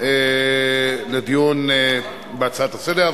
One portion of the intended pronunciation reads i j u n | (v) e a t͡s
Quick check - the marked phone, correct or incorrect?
incorrect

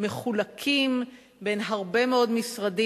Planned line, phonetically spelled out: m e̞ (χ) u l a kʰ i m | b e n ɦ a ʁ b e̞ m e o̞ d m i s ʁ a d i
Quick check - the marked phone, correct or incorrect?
correct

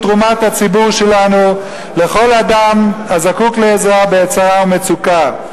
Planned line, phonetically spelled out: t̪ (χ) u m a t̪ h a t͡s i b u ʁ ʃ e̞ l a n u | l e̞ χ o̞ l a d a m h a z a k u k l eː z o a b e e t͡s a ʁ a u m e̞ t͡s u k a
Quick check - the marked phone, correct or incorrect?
incorrect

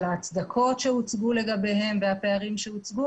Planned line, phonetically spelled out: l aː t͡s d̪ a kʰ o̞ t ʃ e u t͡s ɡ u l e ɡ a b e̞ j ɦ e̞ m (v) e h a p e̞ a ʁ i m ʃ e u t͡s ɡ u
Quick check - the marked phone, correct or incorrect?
correct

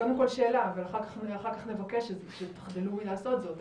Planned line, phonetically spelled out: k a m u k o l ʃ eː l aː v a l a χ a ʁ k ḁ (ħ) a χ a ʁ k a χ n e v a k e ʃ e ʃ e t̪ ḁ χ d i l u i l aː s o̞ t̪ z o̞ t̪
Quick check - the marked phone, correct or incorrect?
incorrect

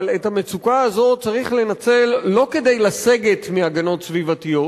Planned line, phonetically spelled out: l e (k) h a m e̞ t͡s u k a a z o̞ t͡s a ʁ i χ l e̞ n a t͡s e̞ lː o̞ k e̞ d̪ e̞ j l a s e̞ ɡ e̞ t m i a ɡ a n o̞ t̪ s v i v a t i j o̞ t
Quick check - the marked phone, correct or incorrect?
incorrect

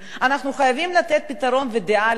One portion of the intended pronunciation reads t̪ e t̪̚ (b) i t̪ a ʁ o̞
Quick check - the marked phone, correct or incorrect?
incorrect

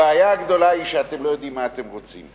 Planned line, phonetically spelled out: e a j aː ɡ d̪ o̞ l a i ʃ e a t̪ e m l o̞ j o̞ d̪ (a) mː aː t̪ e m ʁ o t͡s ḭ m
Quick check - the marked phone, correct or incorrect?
incorrect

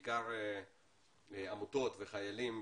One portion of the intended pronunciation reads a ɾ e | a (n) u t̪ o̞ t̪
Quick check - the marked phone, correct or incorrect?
incorrect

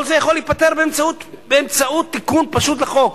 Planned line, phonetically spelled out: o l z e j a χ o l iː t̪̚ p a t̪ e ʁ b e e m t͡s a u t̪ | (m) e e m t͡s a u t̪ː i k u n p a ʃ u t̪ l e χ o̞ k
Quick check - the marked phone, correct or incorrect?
incorrect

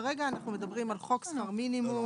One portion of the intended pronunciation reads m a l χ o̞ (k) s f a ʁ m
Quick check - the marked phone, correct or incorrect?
correct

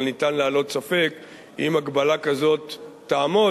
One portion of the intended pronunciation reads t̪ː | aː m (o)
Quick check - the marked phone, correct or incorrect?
correct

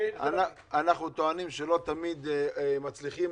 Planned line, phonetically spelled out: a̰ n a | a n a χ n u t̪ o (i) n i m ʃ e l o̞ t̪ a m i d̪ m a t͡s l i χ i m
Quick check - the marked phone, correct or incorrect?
incorrect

